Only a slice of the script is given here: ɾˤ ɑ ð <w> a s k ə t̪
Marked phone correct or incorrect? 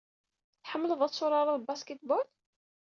incorrect: b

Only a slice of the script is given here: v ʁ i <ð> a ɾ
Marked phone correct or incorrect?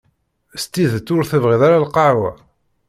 correct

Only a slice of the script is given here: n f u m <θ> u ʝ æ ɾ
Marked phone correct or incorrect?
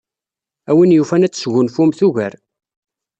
correct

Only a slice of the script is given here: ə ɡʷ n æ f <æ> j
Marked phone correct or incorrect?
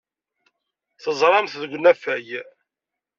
correct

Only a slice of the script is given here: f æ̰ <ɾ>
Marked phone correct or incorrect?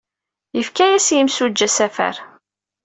correct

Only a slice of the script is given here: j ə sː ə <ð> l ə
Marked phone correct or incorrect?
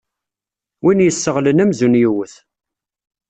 incorrect: ʁ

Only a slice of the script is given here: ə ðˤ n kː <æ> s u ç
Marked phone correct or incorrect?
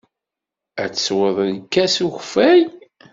correct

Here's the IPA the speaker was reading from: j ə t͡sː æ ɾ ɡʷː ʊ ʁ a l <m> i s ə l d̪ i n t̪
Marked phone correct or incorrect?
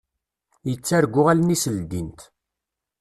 incorrect: n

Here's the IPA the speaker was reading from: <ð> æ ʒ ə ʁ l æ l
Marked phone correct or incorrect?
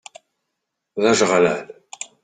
correct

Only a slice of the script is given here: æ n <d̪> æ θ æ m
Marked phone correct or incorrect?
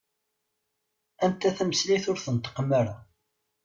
incorrect: t̪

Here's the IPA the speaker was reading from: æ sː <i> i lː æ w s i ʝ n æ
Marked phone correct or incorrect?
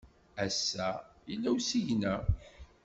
incorrect: æ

